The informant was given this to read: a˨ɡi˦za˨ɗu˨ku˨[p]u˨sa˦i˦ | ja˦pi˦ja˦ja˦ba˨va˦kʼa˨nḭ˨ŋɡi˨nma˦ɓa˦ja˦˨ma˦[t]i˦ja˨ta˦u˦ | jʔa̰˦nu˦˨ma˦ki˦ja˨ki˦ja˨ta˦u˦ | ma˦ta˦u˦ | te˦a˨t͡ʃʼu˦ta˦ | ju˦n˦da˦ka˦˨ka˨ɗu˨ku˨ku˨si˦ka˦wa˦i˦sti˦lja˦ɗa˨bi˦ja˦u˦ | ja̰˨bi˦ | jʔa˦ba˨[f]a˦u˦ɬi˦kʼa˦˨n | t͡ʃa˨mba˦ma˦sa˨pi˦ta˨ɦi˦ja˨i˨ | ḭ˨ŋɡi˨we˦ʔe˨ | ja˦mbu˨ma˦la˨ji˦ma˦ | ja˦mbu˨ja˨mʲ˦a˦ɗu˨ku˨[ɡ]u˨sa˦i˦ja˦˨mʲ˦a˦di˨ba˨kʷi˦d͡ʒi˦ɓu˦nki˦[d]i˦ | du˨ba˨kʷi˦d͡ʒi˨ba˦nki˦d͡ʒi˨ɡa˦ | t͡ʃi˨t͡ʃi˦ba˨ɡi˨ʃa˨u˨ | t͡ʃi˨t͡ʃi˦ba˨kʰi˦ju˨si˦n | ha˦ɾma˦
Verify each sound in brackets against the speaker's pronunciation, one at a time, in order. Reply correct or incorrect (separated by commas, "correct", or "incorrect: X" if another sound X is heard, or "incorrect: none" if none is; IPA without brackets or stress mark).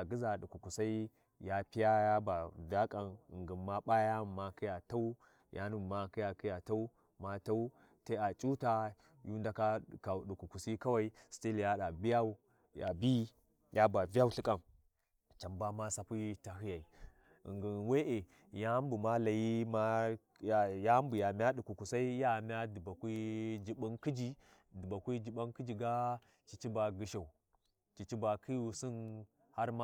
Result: incorrect: k, incorrect: k, incorrect: v, incorrect: k, incorrect: d͡ʒ